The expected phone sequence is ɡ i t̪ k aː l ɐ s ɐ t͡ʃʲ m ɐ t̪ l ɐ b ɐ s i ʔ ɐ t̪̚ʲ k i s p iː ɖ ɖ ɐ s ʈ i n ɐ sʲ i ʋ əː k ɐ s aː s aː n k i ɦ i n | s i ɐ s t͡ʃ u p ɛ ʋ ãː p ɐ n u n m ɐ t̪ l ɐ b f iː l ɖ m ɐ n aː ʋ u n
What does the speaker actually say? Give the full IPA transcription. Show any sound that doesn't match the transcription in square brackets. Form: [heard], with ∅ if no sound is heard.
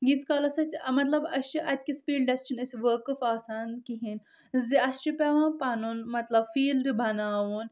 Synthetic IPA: ɡ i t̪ k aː l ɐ s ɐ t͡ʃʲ m ɐ t̪ l ɐ b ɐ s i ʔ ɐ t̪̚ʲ k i s p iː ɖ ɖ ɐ s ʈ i n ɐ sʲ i ʋ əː k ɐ [f] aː s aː n k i ɦ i n | [z] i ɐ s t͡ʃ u p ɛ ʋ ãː p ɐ n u n m ɐ t̪ l ɐ b f iː l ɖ [b] ɐ n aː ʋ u n